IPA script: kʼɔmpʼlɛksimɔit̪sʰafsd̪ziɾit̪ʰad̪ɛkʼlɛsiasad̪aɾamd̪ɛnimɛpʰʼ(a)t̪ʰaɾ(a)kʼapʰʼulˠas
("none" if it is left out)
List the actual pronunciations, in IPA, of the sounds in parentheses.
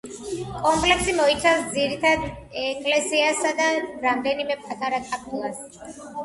a, a

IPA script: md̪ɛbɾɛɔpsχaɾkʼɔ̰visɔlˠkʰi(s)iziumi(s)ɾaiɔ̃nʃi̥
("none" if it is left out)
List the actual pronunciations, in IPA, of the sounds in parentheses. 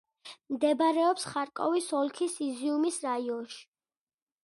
s, s

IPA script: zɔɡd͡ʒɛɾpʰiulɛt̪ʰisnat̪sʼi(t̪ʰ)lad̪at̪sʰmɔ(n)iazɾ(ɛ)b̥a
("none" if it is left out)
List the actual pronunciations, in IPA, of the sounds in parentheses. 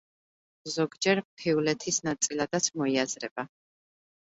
none, none, ɛ

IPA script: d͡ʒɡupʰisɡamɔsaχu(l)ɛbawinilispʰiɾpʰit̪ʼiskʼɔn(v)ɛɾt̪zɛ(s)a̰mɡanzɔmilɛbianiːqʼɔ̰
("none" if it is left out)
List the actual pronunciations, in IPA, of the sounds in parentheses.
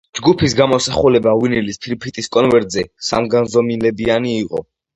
l, v, s

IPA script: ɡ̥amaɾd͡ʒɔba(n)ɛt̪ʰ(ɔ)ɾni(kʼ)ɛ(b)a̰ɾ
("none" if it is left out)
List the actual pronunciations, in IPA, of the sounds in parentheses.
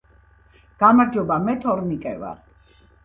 m, ɔ, kʼ, v

